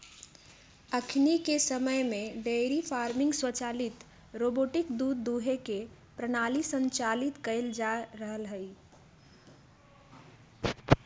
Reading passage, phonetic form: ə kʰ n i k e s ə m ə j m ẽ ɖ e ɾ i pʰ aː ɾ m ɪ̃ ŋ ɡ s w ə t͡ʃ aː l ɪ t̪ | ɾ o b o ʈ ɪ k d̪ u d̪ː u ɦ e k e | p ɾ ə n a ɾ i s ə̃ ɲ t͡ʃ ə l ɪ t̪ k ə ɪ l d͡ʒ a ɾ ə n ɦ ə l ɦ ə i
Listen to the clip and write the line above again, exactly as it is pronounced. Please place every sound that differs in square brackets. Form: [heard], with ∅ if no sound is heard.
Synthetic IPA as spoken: ə kʰ n i k e s ə m ə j m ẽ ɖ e ɾ i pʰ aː ɾ m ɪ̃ ŋ ɡ s w ə t͡ʃ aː l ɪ t̪ | ɾ o b o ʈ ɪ k d̪ u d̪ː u ɦ e k e | p ɾ ə n a [l] i s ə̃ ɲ t͡ʃ [a] l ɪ t̪ k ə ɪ l d͡ʒ a ɾ ə [∅] ɦ ə l ɦ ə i